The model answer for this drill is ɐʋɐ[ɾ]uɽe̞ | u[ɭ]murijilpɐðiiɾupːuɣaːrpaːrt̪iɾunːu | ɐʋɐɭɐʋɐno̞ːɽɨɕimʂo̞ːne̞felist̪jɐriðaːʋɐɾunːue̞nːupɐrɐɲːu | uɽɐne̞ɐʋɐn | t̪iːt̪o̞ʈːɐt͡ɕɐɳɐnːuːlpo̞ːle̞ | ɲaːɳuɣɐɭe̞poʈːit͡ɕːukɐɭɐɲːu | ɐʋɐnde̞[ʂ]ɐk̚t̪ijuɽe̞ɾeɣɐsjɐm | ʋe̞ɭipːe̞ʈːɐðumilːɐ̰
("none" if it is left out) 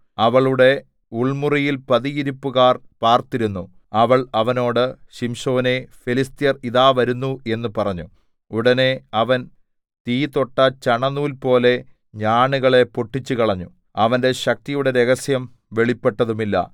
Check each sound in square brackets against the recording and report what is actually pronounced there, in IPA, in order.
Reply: ɭ, ɭ, ɕ

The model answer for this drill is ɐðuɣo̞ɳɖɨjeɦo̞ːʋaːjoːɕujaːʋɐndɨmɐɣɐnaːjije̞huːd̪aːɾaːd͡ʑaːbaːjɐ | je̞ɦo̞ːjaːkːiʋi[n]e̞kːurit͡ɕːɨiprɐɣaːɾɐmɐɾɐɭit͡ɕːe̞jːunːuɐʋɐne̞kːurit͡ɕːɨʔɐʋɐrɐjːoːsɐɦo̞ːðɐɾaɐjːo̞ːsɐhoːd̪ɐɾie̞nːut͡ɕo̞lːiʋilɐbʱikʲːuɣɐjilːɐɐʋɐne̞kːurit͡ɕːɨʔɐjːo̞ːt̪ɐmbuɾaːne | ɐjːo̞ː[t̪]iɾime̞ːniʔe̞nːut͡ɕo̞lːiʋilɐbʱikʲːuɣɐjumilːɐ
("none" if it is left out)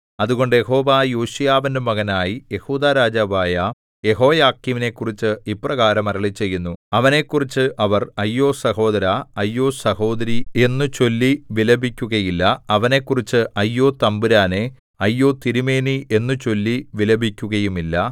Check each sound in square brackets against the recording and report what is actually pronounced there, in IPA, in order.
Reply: n, t̪

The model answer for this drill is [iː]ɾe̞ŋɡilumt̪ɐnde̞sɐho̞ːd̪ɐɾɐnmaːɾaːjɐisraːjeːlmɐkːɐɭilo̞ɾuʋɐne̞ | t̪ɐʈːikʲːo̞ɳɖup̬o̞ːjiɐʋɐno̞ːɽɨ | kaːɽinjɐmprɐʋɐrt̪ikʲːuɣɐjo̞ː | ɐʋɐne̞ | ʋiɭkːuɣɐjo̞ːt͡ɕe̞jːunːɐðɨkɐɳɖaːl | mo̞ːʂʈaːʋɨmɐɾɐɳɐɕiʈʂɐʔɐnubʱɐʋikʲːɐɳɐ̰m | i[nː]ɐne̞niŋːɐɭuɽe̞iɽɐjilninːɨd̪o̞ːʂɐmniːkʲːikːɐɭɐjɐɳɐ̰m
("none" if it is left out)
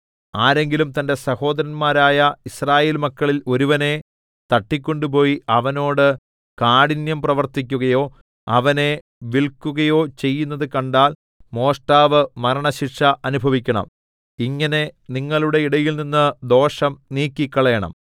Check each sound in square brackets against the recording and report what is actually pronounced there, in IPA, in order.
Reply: aː, ŋː

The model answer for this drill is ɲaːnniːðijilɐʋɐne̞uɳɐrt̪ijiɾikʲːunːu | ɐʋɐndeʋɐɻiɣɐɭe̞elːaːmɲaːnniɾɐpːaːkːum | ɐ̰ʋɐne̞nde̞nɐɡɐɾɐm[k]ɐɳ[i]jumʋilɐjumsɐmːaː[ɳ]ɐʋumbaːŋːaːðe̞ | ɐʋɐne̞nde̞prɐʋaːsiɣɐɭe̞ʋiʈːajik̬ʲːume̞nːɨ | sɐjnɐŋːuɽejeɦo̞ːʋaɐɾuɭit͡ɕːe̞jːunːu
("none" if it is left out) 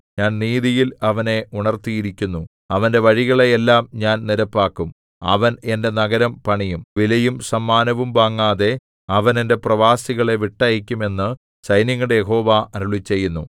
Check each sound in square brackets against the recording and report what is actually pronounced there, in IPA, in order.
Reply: p, i, n

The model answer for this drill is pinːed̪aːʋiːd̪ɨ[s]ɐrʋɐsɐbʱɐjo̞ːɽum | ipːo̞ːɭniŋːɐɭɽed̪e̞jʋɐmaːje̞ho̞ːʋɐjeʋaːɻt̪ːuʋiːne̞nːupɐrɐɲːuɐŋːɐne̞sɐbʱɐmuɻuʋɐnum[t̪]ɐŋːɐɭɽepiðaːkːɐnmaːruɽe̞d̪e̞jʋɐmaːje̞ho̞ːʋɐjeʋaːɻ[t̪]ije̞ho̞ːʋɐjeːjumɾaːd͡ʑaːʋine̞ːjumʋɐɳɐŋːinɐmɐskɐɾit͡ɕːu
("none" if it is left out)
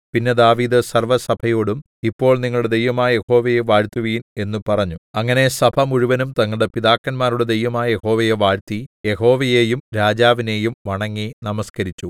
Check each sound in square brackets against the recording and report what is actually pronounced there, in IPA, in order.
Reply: s, t̪, t̪

